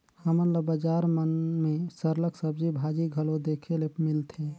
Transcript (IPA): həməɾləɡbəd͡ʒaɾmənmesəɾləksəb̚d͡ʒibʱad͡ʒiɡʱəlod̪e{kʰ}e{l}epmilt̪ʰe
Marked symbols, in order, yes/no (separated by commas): yes, yes